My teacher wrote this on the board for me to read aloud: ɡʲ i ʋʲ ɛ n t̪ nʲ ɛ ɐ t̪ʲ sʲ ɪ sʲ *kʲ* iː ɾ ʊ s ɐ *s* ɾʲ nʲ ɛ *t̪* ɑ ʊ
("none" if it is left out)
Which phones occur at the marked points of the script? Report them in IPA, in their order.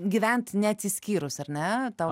kʲ, none, t̪

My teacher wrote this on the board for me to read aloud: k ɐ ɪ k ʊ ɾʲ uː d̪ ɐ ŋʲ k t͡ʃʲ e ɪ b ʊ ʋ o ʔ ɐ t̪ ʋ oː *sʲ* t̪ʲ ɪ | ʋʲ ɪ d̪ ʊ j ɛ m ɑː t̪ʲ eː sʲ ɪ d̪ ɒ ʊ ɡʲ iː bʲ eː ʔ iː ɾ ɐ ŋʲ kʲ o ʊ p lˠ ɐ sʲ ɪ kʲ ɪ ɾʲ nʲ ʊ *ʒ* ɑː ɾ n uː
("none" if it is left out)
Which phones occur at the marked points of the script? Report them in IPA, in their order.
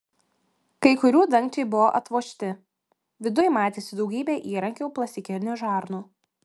ʃʲ, ʒ

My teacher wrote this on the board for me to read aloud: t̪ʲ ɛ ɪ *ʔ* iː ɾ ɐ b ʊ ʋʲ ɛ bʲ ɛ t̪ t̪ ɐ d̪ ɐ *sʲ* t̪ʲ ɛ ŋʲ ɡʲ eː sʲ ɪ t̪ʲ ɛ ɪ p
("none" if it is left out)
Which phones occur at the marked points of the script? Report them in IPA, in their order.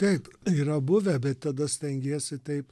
p, sʲ

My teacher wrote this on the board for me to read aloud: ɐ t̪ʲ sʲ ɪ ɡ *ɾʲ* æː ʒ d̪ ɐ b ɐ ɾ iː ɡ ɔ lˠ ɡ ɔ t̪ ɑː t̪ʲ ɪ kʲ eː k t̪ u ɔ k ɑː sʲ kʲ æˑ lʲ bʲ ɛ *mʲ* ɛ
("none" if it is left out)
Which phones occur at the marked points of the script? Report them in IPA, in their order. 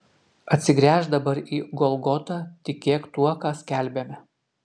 ɾʲ, mʲ

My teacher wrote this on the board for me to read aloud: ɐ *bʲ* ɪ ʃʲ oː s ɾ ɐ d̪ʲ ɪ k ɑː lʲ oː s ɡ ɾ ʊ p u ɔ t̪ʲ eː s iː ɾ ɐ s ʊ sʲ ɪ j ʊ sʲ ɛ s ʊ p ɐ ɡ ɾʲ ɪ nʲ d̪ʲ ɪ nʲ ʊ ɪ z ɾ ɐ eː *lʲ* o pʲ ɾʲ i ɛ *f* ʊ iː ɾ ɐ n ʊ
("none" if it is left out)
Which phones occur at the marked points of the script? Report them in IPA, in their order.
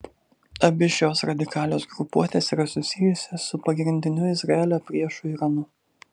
bʲ, lʲ, ʃ

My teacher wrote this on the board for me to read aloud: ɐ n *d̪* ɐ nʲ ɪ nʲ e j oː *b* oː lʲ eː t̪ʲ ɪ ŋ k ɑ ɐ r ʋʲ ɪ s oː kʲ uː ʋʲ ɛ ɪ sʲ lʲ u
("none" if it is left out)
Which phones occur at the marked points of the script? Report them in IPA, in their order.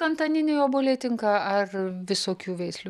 t̪, b

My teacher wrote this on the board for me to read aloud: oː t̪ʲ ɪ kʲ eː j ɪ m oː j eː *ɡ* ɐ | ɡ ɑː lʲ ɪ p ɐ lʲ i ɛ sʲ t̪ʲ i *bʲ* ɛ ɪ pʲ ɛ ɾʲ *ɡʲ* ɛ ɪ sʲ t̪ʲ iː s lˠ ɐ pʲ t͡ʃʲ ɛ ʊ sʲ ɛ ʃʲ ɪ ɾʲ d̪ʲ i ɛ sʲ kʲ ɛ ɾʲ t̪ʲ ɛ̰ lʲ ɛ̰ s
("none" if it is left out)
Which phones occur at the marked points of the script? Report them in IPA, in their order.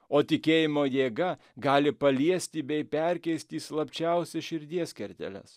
ɡ, bʲ, kʲ

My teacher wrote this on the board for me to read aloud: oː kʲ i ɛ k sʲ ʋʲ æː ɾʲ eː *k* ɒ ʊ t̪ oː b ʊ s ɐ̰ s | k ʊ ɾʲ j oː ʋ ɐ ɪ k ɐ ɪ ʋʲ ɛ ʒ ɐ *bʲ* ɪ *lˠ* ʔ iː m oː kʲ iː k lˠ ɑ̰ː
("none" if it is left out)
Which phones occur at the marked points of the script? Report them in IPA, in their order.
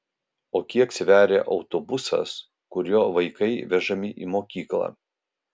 ʔ, mʲ, none

